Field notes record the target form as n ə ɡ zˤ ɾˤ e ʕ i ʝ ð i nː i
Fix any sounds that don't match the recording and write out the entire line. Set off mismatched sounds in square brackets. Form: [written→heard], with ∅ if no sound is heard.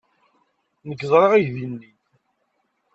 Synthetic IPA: n ə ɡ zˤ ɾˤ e [ʕ→ʁ] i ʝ ð i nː i